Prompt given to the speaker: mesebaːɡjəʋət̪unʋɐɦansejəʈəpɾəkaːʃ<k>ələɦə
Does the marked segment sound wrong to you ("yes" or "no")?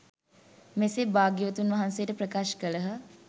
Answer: no